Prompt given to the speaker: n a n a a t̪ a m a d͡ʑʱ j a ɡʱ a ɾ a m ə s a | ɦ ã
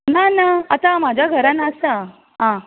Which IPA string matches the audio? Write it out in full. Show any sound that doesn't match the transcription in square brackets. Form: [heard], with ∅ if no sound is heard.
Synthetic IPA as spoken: n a n a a t̪ a m a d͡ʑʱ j a ɡʱ [ə] ɾ a [n] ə s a | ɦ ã